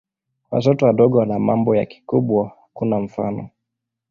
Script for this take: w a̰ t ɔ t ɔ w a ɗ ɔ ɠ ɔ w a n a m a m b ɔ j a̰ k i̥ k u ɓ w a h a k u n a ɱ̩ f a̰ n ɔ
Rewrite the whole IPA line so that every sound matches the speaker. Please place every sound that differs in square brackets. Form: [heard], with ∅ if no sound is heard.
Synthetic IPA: w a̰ t ɔ t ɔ w a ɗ ɔ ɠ ɔ w a n a m a m b ɔ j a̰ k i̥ k u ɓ w a h a k u n a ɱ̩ f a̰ n ɔ